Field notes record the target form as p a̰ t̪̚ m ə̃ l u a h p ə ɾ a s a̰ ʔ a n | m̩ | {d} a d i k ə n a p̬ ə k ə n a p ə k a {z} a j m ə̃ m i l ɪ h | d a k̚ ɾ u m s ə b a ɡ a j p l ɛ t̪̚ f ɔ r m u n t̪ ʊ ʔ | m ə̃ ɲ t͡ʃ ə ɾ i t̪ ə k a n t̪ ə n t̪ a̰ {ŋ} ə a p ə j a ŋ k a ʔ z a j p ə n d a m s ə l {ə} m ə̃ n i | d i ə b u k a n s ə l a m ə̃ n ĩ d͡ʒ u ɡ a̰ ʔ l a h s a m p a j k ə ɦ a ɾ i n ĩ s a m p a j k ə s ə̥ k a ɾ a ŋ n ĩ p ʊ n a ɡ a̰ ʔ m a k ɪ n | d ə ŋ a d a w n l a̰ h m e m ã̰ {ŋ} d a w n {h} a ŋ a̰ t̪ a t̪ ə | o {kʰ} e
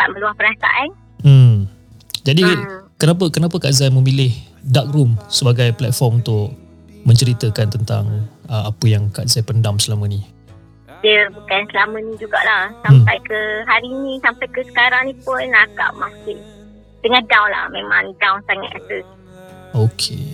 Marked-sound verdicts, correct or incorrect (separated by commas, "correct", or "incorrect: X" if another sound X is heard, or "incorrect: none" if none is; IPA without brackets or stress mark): incorrect: d͡ʒ, correct, correct, incorrect: a, correct, incorrect: s, correct